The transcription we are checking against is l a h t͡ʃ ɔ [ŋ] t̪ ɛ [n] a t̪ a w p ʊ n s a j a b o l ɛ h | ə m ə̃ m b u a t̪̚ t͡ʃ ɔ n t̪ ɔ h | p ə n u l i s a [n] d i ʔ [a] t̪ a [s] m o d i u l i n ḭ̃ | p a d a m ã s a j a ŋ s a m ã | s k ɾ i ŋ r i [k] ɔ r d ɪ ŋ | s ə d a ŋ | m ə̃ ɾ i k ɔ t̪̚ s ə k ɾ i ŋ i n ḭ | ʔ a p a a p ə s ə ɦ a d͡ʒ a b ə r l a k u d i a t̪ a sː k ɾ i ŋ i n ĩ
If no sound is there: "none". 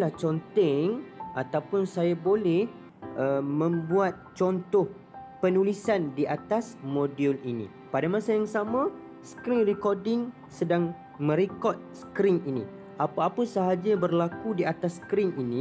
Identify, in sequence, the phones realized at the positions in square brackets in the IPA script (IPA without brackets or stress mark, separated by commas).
n, ŋ, n, a, s, k